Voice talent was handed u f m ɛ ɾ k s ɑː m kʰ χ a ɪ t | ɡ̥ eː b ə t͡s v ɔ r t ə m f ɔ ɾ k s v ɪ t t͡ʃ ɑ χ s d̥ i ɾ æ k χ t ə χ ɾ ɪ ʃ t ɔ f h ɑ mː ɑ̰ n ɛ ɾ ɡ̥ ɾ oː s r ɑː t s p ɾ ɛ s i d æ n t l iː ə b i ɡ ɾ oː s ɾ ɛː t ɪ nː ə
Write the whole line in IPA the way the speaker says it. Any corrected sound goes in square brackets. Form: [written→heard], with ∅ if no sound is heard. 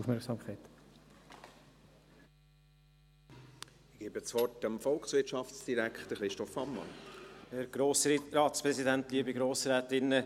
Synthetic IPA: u f m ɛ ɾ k s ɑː m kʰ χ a ɪ t | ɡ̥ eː b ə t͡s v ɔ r t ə m f ɔ [ɾ→l] k s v ɪ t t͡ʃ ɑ [χ→f] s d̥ i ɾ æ k χ t ə χ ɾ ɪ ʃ t ɔ f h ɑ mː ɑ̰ n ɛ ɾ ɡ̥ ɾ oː s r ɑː t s p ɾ ɛ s i d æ n t l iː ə b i ɡ ɾ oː s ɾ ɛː t ɪ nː ə

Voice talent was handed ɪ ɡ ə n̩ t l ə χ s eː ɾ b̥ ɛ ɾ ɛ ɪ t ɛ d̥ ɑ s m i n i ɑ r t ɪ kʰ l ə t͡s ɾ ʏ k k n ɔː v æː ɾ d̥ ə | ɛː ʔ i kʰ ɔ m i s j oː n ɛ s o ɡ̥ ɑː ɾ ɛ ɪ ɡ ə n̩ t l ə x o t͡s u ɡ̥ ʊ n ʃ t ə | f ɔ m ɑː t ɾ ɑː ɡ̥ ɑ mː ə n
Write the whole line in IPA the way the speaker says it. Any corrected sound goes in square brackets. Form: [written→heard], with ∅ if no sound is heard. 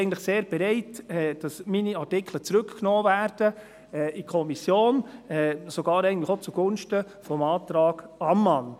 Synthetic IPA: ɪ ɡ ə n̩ t l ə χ s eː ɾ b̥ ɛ ɾ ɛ ɪ t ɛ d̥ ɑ s m i n i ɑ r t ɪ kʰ l ə t͡s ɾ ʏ k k n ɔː v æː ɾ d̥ ə | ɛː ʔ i kʰ ɔ m i s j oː n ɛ s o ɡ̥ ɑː ɾ ɛ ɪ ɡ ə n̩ t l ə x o t͡s u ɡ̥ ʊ n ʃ t ə | f ɔ m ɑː t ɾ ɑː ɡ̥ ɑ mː [ə→ɑ] n

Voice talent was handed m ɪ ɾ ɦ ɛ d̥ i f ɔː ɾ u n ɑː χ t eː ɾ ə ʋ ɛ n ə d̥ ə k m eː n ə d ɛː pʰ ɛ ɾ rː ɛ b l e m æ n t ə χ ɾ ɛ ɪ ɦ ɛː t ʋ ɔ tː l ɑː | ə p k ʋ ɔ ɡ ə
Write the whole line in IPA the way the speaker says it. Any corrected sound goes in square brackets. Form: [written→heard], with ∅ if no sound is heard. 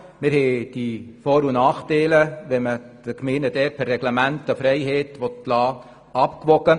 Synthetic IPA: m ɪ ɾ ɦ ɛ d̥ i f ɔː ɾ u n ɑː χ t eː [ɾ→l] ə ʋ ɛ [n→m] ə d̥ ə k m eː n ə d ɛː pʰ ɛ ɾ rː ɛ [b→ɡ] l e m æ n t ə [χ→f] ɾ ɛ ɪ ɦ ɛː t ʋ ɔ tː l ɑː | [ə→ɑ] p k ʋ ɔ ɡ ə

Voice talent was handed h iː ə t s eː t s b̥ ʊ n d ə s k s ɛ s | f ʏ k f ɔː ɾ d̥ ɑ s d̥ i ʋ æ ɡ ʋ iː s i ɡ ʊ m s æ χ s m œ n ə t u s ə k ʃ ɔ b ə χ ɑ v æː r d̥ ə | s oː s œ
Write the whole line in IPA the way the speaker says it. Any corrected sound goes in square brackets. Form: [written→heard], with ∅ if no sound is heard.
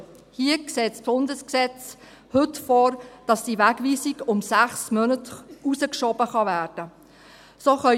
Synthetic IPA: h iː ə [t→k] s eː t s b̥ ʊ n d ə s k s ɛ [s→t͡s] | [f→h] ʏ [k→t] f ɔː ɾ d̥ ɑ s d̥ i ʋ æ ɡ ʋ iː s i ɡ ʊ m s æ χ s m œ n ə t u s ə k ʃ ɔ b ə χ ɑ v æː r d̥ ə | s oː [s→χ] œ

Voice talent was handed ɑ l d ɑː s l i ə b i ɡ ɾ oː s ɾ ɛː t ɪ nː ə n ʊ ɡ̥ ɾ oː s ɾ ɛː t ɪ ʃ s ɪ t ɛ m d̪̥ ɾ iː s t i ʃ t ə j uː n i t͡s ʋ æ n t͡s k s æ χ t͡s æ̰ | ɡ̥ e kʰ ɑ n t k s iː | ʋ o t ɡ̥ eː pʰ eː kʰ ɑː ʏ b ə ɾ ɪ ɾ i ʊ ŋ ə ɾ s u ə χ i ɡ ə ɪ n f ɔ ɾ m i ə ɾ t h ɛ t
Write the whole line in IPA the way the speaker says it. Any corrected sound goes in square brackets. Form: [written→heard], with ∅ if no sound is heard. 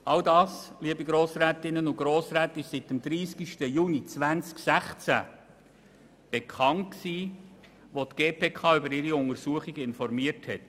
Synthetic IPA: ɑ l d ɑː s l i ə b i ɡ ɾ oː s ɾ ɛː t ɪ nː ə n ʊ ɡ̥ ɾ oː s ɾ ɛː t ɪ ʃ s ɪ t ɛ m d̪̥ ɾ iː s [t→k] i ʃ t ə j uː n i t͡s ʋ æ n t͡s k s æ χ t͡s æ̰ | [ɡ̥→b̥] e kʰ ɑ n t k s iː | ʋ o t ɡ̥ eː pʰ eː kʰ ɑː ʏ b ə ɾ ɪ ɾ i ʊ ŋ ə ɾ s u ə χ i ɡ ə ɪ n f ɔ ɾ m i ə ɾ t h ɛ t

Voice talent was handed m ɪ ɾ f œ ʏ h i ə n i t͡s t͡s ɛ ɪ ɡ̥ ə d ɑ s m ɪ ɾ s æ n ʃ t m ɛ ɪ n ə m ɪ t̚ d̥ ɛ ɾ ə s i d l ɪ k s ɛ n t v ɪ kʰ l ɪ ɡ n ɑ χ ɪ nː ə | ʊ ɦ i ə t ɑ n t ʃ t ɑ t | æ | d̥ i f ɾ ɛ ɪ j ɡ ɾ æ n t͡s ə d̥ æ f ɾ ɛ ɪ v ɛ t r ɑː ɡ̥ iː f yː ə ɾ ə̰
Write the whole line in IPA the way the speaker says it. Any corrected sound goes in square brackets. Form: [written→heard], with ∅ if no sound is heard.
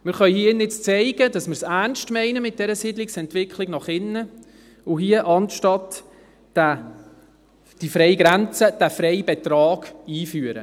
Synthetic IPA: m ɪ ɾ [f→χ] œ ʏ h i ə n [i→ɪ] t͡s t͡s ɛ ɪ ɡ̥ ə d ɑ s m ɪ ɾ s æ n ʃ t m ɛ ɪ n ə m ɪ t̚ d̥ ɛ ɾ ə s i d l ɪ k s ɛ n t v ɪ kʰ l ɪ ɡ n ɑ χ ɪ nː ə | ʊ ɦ i ə [t→ʔ] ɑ n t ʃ t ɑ t | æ | d̥ i f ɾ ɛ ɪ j ɡ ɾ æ n t͡s ə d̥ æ f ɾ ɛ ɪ [v→b] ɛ t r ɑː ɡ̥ iː f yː ə ɾ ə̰

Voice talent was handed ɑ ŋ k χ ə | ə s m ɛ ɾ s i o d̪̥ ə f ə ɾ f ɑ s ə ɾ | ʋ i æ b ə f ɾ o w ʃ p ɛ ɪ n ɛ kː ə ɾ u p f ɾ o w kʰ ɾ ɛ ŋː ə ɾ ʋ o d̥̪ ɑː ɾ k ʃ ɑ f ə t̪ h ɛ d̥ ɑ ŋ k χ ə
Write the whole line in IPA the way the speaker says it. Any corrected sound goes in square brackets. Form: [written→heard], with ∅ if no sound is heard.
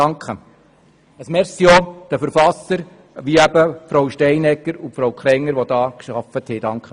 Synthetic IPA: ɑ ŋ k χ ə | ə s m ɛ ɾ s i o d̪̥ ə f ə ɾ f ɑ s ə ɾ | ʋ i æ b ə f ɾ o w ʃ [p→t] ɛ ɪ n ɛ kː ə ɾ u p f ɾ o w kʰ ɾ ɛ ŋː ə ɾ ʋ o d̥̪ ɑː [ɾ→∅] k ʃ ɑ f ə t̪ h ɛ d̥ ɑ ŋ k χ ə

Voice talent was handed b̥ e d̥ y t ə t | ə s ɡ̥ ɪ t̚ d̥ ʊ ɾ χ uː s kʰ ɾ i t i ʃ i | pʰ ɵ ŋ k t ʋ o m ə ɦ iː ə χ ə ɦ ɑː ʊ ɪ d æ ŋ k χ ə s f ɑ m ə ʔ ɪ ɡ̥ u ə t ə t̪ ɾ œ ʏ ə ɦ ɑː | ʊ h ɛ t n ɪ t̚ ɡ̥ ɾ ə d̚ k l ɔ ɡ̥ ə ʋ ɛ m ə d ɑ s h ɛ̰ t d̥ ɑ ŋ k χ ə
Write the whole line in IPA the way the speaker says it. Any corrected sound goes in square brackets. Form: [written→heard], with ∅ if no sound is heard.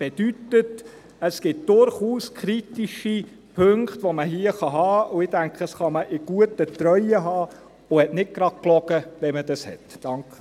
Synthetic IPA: b̥ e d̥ y t ə t | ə s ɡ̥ ɪ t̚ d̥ ʊ ɾ χ uː s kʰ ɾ i t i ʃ i | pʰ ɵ ŋ k t ʋ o m ə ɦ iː ə χ [ə→ɑ] ɦ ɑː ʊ ɪ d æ ŋ k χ ə s [f→χ] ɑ m ə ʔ ɪ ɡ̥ u ə t ə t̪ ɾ œ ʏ ə ɦ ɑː | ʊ h ɛ t n ɪ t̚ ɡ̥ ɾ [ə→ɑ] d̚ k l ɔ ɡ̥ ə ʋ ɛ m ə d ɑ s h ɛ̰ t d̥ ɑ ŋ k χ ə

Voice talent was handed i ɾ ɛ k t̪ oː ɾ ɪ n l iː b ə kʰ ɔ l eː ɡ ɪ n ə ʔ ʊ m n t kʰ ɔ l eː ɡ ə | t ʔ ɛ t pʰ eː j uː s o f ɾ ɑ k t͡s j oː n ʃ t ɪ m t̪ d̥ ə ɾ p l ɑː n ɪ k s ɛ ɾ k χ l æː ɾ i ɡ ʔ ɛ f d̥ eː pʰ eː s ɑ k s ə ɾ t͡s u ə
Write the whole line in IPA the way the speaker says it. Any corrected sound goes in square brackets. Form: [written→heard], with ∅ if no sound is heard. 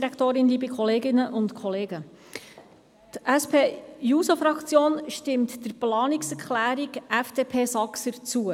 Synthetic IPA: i ɾ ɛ k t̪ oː ɾ ɪ n l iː b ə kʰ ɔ l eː ɡ ɪ n ə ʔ ʊ [m→∅] n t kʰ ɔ l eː ɡ ə | t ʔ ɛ [t→s] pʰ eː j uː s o f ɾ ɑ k t͡s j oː n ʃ t ɪ m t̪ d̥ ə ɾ p l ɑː n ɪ k s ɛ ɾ k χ l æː ɾ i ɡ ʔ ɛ f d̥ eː pʰ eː s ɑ k s ə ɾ t͡s u ə

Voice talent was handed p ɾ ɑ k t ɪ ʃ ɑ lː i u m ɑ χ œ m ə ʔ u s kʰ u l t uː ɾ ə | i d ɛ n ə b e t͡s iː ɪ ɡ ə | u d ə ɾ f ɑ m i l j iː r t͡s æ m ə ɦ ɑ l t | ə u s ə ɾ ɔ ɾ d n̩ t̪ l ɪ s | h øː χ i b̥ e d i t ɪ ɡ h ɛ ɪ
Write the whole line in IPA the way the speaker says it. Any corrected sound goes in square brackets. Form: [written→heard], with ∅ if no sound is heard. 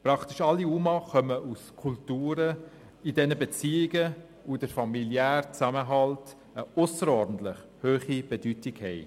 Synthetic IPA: p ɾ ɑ k t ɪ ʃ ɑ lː i u m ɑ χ œ m ə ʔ u s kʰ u l t uː ɾ ə | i d ɛ n ə b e t͡s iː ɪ ɡ ə | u d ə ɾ f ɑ m i l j [iː→æː] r t͡s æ m ə ɦ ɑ l t | ə [u→ʊ] s ə ɾ ɔ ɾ d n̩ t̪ l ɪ [s→χ] | h øː χ i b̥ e d [i→y] t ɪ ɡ h ɛ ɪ

